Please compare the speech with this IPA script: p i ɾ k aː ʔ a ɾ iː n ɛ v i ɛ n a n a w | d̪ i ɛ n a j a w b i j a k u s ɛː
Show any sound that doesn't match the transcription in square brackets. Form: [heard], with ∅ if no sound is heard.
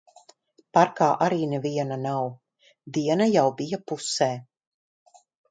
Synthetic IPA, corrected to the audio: p [a] ɾ k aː ʔ a ɾ iː n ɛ v i ɛ n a n a w | d̪ i ɛ n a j a w b i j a [p] u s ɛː